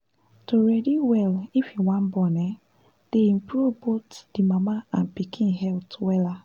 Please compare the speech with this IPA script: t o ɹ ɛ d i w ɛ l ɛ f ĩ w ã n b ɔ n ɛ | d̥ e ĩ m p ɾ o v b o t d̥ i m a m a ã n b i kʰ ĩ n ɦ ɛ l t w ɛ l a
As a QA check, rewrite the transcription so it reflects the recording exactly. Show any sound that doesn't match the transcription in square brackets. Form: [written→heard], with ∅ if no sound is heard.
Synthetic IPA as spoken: t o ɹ ɛ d i w ɛ l [ɛ→i] f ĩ w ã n b ɔ n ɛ | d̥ e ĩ m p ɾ [o→u] v b o t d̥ i m a m a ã n [b→p] i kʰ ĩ n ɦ ɛ l t w ɛ l a